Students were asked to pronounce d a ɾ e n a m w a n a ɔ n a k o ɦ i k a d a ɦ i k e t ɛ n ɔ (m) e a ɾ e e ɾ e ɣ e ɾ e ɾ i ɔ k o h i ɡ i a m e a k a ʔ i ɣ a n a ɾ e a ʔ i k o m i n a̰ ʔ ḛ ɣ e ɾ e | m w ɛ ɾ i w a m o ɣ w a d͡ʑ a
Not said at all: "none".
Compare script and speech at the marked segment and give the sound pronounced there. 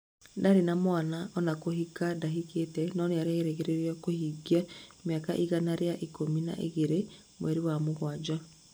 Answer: n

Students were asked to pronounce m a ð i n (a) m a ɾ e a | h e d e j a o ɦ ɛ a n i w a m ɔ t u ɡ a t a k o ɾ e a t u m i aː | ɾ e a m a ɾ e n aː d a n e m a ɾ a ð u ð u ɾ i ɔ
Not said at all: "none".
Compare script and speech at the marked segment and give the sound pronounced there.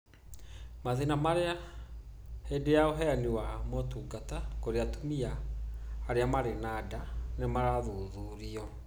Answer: a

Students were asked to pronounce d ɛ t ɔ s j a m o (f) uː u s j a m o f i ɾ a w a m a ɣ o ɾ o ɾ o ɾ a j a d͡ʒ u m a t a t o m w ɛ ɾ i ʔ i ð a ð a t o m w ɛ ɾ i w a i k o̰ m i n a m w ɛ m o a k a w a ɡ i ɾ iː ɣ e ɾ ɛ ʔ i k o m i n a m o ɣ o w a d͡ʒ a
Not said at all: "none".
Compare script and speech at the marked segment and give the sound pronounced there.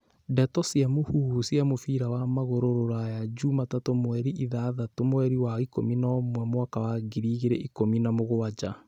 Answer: h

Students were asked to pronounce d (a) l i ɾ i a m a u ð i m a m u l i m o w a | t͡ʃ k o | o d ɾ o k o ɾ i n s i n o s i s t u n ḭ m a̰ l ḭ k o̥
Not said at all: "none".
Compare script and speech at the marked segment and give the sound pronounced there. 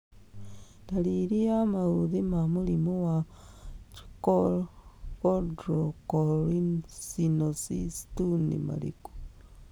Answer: a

